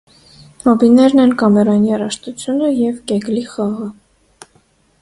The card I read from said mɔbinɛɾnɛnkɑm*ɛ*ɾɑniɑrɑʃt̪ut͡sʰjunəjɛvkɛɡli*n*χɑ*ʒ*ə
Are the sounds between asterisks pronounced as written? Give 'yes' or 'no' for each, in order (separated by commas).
yes, no, no